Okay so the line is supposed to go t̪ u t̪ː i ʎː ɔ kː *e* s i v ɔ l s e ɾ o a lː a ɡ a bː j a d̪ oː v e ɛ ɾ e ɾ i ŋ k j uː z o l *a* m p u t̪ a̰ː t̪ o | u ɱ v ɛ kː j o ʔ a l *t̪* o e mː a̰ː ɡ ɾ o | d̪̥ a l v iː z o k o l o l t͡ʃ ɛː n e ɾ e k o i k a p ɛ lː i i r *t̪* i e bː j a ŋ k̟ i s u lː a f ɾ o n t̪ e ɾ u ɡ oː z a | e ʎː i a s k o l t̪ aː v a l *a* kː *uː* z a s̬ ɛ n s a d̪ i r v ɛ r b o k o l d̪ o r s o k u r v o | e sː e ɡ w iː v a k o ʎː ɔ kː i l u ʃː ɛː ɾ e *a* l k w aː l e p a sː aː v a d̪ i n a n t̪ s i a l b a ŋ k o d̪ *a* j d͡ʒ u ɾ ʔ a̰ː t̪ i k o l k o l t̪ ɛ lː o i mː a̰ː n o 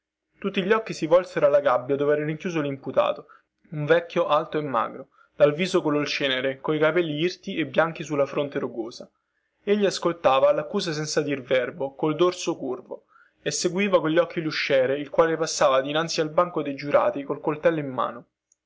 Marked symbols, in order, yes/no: no, no, yes, yes, yes, yes, no, no

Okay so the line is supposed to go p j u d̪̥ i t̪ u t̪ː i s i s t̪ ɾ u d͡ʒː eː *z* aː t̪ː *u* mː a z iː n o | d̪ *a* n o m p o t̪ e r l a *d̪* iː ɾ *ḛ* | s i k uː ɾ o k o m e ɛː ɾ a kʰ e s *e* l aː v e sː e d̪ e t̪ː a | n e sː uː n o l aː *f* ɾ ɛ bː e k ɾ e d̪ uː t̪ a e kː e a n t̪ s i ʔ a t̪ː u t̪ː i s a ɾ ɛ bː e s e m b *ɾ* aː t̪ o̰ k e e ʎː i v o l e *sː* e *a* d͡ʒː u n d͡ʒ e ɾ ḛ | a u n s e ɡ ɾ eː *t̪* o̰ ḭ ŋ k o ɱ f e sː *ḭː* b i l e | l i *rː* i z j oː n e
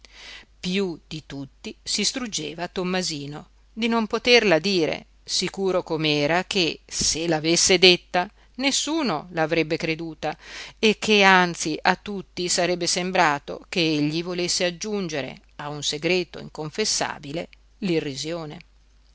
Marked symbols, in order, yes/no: no, no, no, yes, yes, yes, no, yes, yes, yes, yes, no, yes

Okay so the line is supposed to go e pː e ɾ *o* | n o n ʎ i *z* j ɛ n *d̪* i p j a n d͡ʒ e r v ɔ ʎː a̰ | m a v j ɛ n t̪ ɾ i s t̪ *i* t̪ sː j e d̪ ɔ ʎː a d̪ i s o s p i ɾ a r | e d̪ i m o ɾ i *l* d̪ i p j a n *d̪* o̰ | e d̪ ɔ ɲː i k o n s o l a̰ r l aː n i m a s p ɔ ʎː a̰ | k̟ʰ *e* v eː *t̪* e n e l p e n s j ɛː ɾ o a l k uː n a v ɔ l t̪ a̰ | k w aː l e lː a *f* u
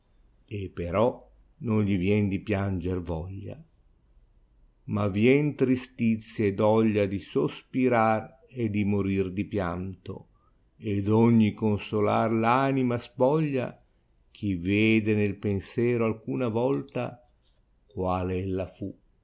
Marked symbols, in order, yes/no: no, no, yes, yes, no, no, no, no, yes

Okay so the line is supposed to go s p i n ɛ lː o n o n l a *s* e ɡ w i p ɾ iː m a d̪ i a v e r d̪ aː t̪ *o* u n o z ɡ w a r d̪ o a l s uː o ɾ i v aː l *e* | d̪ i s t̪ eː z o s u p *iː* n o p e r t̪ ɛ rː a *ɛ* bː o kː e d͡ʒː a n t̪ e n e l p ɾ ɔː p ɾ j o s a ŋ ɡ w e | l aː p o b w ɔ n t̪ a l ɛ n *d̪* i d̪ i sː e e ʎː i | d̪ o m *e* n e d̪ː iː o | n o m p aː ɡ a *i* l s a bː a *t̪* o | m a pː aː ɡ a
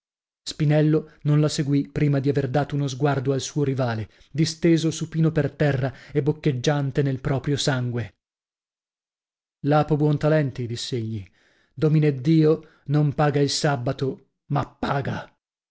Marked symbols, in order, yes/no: yes, yes, yes, yes, no, no, no, yes, yes

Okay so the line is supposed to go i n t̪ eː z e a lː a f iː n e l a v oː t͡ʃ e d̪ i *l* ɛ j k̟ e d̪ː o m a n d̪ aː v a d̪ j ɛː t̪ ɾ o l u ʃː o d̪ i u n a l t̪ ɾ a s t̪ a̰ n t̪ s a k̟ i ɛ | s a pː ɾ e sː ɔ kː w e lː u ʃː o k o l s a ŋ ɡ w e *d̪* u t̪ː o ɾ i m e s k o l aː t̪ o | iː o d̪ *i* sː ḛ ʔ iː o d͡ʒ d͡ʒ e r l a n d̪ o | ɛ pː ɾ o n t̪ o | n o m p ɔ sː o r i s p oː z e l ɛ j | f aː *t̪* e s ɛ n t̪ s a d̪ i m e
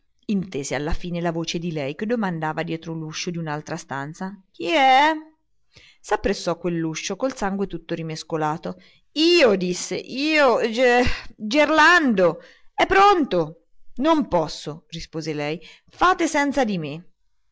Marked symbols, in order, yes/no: yes, no, yes, yes

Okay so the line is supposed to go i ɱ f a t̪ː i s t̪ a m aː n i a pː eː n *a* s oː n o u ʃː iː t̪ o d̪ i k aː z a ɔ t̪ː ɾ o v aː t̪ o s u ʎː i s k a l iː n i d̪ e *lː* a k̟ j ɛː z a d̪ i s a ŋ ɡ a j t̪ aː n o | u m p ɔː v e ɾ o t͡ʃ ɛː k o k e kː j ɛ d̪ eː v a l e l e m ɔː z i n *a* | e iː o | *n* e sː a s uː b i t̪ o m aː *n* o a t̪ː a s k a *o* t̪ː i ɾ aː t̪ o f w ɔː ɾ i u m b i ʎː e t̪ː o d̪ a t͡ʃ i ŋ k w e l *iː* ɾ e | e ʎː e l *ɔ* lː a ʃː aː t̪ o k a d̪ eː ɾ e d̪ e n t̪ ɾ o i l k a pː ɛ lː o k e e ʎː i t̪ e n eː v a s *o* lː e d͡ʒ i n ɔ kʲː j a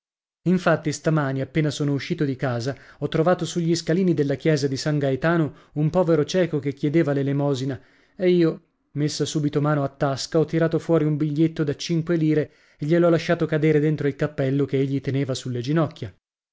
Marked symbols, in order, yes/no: yes, yes, yes, no, yes, no, yes, yes, no

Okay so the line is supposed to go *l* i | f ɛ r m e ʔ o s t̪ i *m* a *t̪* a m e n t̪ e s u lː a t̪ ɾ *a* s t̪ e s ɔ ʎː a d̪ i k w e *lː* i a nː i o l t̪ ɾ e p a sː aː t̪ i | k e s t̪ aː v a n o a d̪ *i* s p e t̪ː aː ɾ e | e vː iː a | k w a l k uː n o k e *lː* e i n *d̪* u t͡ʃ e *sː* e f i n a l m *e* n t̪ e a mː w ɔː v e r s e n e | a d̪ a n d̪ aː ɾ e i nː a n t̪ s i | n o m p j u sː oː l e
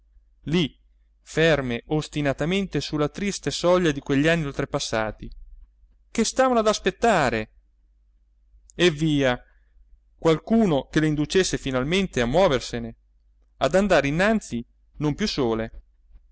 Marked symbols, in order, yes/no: yes, no, yes, no, no, no, no, yes, yes, yes

